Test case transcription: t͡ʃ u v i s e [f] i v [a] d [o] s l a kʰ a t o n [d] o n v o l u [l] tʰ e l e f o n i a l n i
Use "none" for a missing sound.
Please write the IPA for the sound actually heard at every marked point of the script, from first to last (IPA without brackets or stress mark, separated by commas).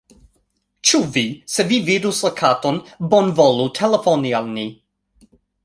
v, i, u, b, none